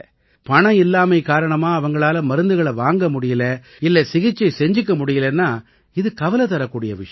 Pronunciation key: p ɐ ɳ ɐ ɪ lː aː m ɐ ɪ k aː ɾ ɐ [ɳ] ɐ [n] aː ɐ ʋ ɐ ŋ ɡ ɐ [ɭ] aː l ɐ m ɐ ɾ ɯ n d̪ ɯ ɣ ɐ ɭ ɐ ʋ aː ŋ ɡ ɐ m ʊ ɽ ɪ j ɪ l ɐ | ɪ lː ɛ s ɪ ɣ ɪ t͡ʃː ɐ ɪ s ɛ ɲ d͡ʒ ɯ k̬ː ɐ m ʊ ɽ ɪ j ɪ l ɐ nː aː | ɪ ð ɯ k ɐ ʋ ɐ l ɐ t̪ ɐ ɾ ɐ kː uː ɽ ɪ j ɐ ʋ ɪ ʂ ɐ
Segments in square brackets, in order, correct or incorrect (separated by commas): correct, incorrect, correct